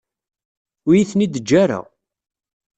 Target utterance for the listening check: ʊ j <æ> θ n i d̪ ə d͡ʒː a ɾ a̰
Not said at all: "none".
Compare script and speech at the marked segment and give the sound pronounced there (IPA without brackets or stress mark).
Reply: i